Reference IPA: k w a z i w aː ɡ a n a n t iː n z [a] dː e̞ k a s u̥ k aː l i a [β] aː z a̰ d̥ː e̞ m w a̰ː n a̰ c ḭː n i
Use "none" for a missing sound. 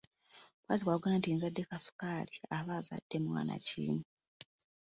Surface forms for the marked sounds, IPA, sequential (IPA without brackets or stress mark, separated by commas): a, β